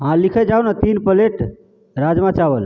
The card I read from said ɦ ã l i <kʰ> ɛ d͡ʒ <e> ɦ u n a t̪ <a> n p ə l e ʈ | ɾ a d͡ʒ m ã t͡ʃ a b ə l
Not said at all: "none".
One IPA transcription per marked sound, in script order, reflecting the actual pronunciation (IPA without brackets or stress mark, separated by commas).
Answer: kʰ, a, i